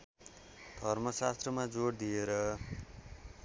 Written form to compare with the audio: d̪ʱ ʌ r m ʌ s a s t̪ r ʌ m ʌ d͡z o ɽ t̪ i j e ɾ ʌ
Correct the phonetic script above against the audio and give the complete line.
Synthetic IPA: d̪ʱ ʌ r m ʌ s a s t̪ r ʌ m a d͡z o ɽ d̪ i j e ɾ ʌ

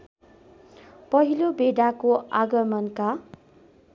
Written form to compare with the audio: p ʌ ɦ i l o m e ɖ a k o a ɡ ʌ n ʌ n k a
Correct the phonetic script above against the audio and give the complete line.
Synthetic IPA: p ʌ ɦ i l o b e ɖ a k o a ɡ ʌ m ʌ n k a

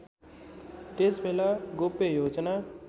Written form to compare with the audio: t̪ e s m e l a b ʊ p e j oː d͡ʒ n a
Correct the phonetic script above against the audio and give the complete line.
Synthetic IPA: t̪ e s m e l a ɡ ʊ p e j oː d͡ʒ n a

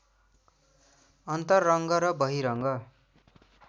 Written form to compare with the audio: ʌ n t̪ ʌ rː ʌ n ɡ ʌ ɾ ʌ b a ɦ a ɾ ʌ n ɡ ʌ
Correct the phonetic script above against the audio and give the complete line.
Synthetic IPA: ʌ n t̪ ʌ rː ʌ ŋ ɡ ʌ ɾ ʌ b ʌ ɦ i ɾ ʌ ŋ ɡ ʌ

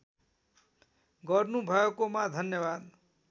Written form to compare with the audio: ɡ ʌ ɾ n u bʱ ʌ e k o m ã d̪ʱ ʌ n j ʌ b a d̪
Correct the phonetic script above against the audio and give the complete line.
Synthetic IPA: ɡ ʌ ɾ n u bʱ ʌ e k o m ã d̪ʱ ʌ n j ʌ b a d̪

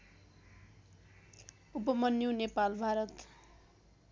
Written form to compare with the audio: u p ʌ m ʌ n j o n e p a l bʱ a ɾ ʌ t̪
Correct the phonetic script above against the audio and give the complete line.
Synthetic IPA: u p ʌ m ʌ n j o n e p a l bʱ a ɾ ʌ t̪

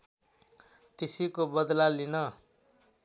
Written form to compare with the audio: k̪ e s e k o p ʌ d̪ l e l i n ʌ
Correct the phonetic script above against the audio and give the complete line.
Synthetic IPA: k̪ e s i k o b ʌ d̪ l a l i n ʌ

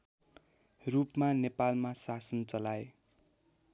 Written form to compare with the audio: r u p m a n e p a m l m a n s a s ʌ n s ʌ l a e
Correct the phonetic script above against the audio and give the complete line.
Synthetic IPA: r u p m a n e p a l m a s a s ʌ n t͡s ʌ l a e

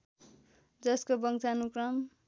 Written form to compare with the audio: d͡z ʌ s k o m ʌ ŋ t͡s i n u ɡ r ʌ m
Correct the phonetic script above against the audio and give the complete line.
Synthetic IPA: d͡z ʌ s k o b ʌ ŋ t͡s a n u k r ʌ m

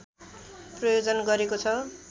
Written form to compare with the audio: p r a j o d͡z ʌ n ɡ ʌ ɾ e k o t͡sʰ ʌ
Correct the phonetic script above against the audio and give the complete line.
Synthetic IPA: p r ʌ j o d͡z ʌ n ɡ ʌ ɾ e k o t͡sʰ ʌ

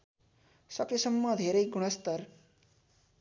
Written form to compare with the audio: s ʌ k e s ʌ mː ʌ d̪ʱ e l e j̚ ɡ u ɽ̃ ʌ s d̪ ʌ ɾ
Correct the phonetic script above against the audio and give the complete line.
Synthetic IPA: s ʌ k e s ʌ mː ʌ d̪ʱ e ɾ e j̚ ɡ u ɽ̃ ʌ s t̪ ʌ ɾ

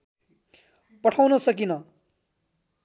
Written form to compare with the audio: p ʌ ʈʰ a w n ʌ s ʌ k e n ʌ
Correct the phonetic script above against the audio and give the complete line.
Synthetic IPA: p ʌ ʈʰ a w n ʌ s ʌ k i n ʌ

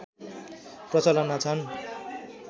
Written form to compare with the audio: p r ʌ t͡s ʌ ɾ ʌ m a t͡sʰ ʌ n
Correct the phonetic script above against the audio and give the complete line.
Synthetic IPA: p r ʌ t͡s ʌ l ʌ n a t͡sʰ ʌ n

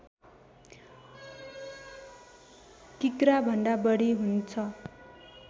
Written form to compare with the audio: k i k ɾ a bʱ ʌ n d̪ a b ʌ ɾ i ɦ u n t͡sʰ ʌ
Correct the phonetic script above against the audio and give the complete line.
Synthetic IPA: k i k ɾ a bʱ ʌ n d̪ a b ʌ ɽ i ɦ u n t͡sʰ ʌ

